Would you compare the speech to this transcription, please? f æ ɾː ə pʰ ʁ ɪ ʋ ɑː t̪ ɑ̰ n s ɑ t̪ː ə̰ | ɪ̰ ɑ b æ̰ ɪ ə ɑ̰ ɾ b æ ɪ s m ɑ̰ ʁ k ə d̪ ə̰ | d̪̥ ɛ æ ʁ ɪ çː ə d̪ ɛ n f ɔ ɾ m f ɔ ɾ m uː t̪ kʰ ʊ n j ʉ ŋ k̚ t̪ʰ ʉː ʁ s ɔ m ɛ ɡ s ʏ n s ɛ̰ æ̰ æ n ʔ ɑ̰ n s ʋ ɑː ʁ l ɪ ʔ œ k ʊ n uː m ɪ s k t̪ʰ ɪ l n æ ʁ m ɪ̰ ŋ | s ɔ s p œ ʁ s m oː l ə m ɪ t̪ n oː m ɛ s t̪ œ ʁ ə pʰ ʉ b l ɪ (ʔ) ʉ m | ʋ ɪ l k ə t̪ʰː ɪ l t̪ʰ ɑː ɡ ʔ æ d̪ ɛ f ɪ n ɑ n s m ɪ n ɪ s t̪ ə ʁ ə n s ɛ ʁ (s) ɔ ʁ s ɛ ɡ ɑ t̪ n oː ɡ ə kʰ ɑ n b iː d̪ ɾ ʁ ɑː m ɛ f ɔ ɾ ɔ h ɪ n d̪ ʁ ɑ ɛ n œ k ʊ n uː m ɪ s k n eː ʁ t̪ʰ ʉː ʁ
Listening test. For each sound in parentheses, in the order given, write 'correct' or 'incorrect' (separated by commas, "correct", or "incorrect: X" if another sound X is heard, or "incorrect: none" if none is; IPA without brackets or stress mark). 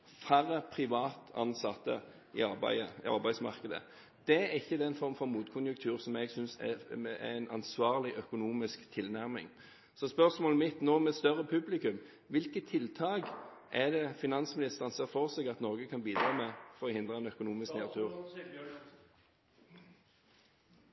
incorrect: k, incorrect: f